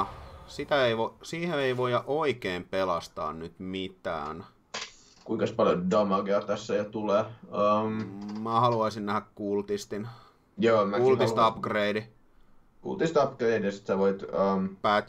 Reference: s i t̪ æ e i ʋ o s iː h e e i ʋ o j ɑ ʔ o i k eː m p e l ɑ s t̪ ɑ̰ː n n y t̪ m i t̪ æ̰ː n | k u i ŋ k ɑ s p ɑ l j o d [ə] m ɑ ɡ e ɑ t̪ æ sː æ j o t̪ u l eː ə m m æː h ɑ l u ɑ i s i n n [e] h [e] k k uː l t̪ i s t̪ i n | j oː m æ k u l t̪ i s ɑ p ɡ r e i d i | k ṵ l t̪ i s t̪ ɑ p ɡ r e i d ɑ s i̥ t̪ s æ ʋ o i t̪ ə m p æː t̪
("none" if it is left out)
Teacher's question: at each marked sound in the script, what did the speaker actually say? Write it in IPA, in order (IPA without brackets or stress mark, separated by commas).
ɑ, æ, æ